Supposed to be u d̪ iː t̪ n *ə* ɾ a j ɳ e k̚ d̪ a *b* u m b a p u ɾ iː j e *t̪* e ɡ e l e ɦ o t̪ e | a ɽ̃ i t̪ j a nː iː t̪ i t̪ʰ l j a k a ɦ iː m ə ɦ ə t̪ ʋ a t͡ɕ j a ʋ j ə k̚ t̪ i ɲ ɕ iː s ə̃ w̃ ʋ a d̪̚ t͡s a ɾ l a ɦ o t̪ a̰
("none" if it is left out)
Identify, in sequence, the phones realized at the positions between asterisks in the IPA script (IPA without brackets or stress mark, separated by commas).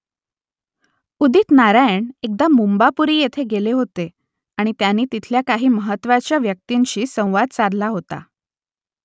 a, m, t̪ʰ